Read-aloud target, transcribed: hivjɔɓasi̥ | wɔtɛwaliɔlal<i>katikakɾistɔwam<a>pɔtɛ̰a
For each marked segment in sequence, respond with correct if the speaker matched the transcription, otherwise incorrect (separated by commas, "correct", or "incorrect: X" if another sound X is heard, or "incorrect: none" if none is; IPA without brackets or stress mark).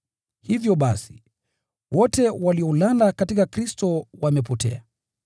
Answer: incorrect: a, incorrect: ɛ